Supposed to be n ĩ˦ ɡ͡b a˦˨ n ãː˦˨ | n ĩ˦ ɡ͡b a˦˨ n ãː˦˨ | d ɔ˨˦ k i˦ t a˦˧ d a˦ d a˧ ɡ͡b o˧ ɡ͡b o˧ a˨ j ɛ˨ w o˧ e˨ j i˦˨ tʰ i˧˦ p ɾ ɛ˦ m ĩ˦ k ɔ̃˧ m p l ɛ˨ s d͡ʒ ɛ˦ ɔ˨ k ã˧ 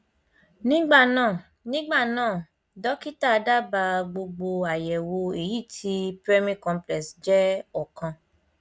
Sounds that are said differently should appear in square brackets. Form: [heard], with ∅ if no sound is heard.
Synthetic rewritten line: n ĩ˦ ɡ͡b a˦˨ n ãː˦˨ | n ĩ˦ ɡ͡b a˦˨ n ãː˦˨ | d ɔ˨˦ k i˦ t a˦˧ d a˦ [b] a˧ ɡ͡b o˧ ɡ͡b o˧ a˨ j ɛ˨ w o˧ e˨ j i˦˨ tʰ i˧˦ p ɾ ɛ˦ m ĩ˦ k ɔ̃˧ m p l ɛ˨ s d͡ʒ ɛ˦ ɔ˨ k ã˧